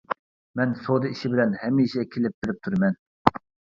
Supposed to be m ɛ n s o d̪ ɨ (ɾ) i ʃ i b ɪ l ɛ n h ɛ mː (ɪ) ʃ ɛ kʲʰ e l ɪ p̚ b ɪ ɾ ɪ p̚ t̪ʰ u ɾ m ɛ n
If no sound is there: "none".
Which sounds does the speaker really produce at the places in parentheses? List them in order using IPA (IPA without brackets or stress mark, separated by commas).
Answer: none, i